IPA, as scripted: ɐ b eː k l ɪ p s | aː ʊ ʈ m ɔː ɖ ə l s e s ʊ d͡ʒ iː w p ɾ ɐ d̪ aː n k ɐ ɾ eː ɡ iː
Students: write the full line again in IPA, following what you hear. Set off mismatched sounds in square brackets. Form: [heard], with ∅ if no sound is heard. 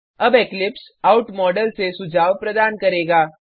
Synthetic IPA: ɐ b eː k l ɪ p s | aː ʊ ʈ m ɔː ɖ ə l s e s ʊ d͡ʒ [aː] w p ɾ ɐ d̪ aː n k ɐ ɾ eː ɡ [aː]

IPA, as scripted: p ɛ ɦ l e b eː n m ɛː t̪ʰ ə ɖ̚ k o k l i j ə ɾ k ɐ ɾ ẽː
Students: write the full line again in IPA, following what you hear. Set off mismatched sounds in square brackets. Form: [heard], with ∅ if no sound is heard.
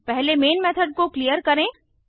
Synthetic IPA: p ɛ ɦ l e [m] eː n m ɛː t̪ʰ ə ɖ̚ k o k l i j ə ɾ k ɐ ɾ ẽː

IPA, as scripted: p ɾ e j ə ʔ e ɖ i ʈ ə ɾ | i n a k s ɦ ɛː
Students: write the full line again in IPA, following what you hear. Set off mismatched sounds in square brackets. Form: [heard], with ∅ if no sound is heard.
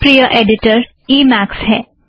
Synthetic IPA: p ɾ [i] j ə ʔ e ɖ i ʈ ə ɾ | i [m] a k s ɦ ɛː

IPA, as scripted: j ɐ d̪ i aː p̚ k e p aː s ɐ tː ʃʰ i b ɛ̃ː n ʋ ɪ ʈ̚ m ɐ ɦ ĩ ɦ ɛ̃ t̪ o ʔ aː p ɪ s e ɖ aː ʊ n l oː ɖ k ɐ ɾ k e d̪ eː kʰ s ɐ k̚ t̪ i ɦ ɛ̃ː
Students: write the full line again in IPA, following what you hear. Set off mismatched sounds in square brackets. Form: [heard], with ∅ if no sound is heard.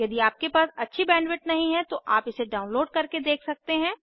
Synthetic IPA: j ɐ d̪ i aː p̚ k e p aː s ɐ tː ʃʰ i b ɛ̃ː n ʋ ɪ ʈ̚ [n] ɐ ɦ ĩ ɦ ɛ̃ t̪ o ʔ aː p ɪ s e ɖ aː ʊ n l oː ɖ k ɐ ɾ k e d̪ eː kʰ s ɐ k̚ t̪ [e] ɦ ɛ̃ː

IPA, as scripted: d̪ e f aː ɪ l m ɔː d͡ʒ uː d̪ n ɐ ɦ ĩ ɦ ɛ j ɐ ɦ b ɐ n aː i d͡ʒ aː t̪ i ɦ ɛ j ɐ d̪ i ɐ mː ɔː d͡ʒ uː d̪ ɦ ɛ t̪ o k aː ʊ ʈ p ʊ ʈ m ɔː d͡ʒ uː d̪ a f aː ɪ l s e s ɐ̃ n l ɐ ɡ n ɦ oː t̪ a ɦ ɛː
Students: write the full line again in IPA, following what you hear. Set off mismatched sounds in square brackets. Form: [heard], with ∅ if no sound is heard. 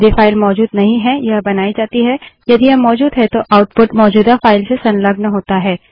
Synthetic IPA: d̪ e f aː ɪ l m ɔː d͡ʒ uː d̪ n ɐ ɦ ĩ ɦ ɛ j ɐ ɦ b ɐ n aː i d͡ʒ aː t̪ i ɦ ɛ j ɐ d̪ i ɐ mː ɔː d͡ʒ uː d̪ ɦ ɛ t̪ o [ʔ] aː ʊ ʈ p ʊ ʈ m ɔː d͡ʒ uː d̪ a f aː ɪ l s e s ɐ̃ n l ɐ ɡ n ɦ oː t̪ a ɦ ɛː

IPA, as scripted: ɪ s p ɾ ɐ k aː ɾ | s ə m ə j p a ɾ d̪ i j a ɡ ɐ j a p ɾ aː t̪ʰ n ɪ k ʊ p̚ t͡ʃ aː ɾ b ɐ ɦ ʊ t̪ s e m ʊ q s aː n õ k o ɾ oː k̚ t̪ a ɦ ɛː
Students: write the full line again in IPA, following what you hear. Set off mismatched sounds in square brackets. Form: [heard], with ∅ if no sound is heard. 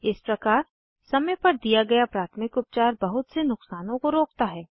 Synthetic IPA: ɪ s p ɾ ɐ k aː ɾ | s [ɐ] m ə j p [ɐ] ɾ d̪ i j a ɡ ɐ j a p ɾ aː t̪ʰ [m] ɪ k ʊ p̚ t͡ʃ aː ɾ b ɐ ɦ ʊ t̪ s e [n] ʊ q s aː n õ k o ɾ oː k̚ t̪ a ɦ ɛː

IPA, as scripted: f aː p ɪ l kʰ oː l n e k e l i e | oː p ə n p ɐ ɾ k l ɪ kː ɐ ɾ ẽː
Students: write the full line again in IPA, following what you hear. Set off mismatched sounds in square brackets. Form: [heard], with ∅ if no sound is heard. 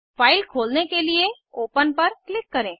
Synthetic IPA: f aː [∅] ɪ l kʰ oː l n e k e l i e | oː p ə n p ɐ ɾ k l ɪ kː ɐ ɾ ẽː

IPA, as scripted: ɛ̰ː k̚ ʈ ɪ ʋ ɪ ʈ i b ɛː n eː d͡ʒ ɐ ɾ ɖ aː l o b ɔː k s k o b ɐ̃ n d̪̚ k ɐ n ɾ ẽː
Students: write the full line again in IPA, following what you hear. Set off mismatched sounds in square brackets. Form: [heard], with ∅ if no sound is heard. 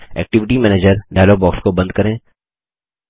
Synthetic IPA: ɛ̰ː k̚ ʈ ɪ ʋ ɪ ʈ i [m] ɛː n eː d͡ʒ [ə] ɾ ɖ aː l o b ɔː k s k o b ɐ̃ n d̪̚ k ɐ [∅] ɾ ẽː

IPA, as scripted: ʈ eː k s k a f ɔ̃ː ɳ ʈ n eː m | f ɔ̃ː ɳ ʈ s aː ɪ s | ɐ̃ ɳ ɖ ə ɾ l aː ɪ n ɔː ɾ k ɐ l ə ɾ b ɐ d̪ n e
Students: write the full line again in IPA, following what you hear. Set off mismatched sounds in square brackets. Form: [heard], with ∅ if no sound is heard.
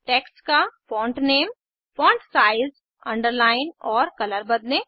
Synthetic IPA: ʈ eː k s k a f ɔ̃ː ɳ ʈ n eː m | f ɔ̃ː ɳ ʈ s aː ɪ [z] | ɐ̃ ɳ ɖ ə ɾ l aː ɪ n ɔː ɾ k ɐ l ə ɾ b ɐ d̪ n e

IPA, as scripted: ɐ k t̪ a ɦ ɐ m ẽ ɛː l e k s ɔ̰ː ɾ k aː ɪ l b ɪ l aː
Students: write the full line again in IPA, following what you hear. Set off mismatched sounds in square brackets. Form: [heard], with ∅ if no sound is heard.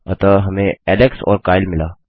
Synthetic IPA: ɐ [∅] t̪ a ɦ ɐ m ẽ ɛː l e k s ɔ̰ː ɾ k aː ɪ l [m] ɪ l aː

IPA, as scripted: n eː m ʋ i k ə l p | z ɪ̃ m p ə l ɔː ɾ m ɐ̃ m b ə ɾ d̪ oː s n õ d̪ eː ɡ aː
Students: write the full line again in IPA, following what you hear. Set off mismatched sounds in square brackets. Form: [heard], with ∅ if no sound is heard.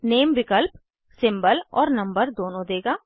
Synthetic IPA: n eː m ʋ [ɪ] k ə l p | [s] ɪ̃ m [b] ə l ɔː ɾ [n] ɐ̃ m b ə ɾ d̪ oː [∅] n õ d̪ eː ɡ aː

